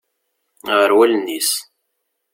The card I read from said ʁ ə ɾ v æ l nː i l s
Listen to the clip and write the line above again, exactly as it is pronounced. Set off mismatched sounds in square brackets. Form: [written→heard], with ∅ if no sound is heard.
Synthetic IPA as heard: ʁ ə ɾ [v→w] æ l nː i [l→∅] s